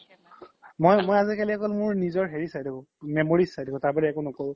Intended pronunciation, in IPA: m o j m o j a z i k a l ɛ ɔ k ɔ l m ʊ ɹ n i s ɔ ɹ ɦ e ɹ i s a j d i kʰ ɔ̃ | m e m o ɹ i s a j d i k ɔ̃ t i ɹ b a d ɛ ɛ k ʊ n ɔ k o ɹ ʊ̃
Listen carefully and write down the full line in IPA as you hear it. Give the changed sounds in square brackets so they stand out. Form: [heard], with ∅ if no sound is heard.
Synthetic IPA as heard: m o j m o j a z i k a l [i] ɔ k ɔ l m ʊ ɹ n i [z] ɔ ɹ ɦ e ɹ i s a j d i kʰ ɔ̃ | m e m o ɹ i s a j d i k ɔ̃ t [a] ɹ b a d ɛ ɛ k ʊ n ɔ k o ɹ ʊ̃